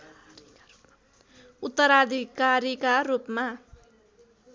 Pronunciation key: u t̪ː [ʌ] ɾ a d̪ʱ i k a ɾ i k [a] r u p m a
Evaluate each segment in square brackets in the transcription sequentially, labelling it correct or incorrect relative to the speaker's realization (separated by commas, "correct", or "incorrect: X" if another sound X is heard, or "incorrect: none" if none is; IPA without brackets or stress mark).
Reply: correct, correct